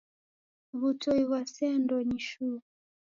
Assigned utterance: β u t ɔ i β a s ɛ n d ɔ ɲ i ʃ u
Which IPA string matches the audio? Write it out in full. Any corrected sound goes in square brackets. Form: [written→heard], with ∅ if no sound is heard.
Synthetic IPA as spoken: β u t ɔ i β a s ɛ n d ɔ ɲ i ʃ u